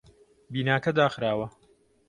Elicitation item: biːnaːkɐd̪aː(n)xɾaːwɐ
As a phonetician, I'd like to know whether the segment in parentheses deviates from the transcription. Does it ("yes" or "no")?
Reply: yes